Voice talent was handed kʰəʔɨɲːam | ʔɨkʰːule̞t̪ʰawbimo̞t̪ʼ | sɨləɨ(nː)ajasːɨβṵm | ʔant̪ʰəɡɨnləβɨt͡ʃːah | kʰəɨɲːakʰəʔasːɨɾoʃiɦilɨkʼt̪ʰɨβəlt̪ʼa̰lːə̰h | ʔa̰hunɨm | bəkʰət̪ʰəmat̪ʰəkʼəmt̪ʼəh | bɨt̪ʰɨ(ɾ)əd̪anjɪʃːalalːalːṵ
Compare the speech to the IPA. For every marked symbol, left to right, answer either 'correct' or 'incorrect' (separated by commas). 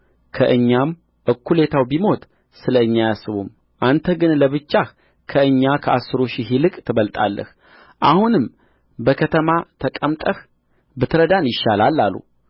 incorrect, correct